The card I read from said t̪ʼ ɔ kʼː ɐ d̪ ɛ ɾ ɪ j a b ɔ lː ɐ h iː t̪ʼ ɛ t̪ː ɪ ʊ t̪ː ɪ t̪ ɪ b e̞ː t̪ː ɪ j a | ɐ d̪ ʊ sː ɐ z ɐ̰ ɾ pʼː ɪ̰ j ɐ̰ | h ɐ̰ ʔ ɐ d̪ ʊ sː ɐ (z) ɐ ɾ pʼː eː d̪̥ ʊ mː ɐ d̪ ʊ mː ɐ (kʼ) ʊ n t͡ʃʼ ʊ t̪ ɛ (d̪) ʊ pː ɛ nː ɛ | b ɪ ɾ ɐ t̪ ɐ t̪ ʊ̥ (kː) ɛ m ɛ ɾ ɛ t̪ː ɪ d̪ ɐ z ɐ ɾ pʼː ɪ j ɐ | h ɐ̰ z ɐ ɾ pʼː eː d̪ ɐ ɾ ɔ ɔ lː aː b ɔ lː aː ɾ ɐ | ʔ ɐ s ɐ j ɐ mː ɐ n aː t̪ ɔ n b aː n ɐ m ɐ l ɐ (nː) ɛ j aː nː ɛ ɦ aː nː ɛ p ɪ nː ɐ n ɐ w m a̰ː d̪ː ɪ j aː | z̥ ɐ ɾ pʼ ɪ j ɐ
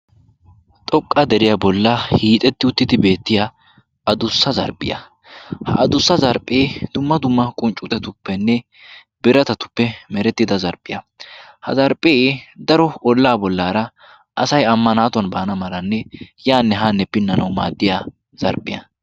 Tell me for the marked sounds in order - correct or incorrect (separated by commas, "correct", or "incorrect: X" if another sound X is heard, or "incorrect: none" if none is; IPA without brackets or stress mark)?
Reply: correct, correct, incorrect: t̪, incorrect: pː, correct